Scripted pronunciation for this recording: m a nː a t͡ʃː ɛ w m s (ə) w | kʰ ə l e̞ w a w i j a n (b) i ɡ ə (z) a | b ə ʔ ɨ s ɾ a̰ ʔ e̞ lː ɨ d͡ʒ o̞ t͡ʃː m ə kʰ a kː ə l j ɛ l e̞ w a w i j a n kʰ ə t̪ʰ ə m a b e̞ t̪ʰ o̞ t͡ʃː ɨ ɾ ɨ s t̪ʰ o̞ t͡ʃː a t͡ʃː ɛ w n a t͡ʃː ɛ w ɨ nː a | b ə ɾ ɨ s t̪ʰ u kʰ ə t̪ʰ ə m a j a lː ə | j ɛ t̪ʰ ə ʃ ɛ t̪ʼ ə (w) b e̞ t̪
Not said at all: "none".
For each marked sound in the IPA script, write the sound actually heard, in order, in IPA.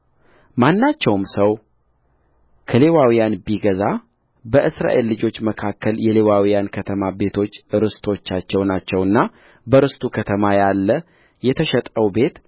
ə, b, z, w

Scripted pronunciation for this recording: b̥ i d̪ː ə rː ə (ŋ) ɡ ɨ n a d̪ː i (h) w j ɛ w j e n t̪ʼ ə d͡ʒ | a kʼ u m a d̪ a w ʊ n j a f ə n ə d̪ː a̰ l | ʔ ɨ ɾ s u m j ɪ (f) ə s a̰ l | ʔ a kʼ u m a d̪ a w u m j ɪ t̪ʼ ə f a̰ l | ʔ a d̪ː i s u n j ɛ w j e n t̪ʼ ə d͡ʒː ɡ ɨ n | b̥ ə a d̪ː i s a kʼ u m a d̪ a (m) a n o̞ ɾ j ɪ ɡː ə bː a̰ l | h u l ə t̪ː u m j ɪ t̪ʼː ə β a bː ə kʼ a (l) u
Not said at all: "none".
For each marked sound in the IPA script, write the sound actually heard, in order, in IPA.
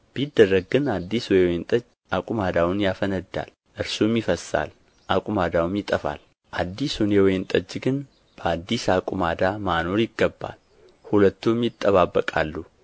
ɡ, s, f, m, lː

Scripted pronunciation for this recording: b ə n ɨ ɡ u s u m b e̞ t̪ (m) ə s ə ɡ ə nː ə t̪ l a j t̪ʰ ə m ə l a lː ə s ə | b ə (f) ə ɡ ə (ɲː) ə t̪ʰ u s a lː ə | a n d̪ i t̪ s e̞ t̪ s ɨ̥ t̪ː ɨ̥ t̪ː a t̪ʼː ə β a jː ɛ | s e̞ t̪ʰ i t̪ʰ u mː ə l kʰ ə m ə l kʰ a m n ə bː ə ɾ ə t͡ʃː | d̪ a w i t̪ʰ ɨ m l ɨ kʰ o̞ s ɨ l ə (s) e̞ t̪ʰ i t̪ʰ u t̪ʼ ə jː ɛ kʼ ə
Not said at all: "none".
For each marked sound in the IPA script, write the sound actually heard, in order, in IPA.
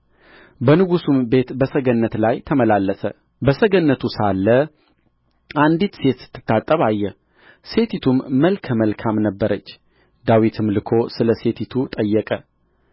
b, s, nː, s

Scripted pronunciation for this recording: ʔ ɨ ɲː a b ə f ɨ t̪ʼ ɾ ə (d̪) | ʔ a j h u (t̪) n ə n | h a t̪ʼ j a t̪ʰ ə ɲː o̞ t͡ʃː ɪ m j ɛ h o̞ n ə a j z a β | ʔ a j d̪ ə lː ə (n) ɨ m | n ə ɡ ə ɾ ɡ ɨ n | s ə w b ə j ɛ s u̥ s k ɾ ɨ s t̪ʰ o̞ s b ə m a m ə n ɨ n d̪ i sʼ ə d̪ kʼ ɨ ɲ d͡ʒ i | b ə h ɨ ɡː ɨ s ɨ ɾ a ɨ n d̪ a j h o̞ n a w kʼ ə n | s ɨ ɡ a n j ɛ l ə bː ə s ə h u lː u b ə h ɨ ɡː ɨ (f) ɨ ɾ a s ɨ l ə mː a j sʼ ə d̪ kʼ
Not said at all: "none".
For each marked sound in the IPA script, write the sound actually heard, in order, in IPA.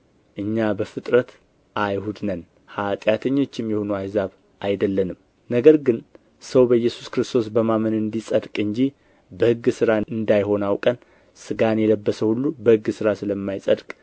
t̪, d̪, n, s

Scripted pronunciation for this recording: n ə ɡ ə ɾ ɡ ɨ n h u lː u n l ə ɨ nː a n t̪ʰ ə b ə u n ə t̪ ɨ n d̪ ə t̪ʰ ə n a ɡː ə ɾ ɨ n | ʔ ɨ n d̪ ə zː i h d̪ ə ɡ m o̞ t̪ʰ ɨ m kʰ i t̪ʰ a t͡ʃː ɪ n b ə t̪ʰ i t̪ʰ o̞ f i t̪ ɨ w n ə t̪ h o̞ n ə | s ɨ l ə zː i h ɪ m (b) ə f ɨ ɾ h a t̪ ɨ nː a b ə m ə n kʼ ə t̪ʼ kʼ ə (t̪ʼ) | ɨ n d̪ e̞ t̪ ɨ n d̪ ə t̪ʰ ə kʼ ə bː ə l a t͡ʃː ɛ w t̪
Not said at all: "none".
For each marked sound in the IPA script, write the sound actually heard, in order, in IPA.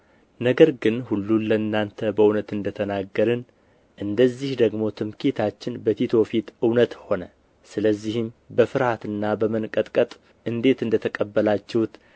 b, t̪ʼ

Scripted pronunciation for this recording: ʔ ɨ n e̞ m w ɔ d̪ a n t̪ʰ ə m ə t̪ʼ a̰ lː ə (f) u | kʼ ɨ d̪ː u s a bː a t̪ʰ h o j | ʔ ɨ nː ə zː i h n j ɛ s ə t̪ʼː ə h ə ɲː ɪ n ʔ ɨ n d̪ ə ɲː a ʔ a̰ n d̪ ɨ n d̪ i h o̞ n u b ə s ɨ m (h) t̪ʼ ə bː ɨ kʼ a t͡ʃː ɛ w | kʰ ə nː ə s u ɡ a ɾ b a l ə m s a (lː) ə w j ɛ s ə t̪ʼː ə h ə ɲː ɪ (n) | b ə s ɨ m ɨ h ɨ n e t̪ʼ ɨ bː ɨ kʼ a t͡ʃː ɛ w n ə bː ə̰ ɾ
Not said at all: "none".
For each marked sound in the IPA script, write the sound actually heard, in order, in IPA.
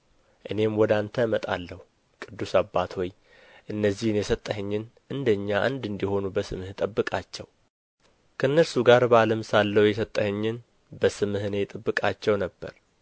h, h, lː, n

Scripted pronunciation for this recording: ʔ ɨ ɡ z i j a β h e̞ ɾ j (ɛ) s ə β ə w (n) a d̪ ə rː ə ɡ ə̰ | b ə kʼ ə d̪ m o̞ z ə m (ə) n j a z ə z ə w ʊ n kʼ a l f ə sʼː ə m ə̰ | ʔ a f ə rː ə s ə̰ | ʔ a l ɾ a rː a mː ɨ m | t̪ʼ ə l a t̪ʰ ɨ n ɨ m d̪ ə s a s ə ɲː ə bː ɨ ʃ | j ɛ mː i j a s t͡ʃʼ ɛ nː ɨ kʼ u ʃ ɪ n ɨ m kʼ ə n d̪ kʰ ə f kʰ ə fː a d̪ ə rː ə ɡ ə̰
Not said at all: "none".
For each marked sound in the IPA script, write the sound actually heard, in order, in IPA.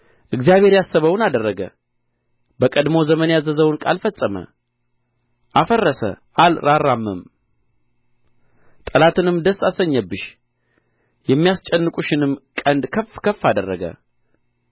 a, n, ə

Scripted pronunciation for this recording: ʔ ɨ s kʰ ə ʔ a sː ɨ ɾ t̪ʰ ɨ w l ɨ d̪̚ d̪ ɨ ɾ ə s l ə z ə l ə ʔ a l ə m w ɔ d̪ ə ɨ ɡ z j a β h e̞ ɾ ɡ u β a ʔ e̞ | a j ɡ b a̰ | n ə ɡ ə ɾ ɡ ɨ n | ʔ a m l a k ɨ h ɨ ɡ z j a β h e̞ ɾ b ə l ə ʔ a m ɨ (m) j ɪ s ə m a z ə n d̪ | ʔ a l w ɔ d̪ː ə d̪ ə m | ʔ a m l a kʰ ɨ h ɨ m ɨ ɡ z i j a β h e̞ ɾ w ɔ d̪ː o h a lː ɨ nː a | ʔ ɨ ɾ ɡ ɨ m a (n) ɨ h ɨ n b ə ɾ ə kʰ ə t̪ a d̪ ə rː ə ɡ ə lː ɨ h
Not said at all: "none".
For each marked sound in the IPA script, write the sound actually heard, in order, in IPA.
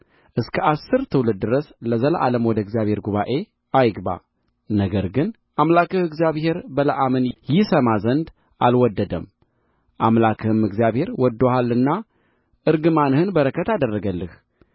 n, n

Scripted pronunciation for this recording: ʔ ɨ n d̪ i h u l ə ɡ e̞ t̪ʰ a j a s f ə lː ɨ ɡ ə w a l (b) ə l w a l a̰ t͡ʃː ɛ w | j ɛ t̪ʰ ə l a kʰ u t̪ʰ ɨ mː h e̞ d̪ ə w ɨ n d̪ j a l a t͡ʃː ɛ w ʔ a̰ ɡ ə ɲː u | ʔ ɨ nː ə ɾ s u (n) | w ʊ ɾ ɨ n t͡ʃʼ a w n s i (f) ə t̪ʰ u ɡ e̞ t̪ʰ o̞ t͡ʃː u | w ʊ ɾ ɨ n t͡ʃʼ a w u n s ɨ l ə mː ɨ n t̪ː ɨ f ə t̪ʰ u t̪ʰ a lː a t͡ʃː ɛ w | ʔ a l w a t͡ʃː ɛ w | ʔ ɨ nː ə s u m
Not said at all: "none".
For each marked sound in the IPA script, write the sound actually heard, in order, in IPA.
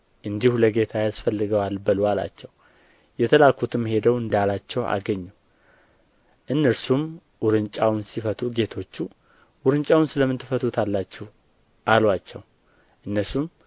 b, m, f

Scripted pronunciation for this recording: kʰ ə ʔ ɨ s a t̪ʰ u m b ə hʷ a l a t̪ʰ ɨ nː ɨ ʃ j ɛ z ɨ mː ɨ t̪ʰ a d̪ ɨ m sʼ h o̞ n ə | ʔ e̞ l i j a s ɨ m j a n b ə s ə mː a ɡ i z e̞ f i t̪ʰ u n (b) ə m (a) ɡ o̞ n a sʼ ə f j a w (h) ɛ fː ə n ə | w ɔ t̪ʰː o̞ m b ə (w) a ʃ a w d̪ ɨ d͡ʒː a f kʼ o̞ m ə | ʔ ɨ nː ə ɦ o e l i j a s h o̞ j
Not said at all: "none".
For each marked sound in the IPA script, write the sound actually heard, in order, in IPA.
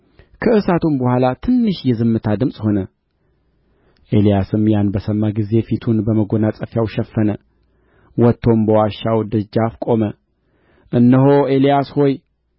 b, ə, ʃ, w

